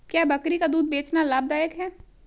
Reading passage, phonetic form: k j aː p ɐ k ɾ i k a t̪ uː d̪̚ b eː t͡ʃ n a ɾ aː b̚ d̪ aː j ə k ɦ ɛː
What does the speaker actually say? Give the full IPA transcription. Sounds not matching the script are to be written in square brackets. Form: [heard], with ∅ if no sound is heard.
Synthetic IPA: k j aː [b] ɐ k ɾ i k a [d̪] uː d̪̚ b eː t͡ʃ n a [l] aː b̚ d̪ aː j ə k ɦ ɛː